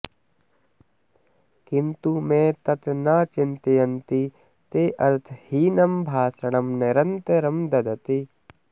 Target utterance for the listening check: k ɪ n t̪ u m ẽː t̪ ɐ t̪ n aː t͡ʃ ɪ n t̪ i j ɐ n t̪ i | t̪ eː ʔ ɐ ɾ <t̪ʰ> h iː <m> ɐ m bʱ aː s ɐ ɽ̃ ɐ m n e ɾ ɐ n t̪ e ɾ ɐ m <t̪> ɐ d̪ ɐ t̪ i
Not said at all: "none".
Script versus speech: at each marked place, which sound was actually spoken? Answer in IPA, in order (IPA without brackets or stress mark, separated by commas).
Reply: t̪ʰ, n, d̪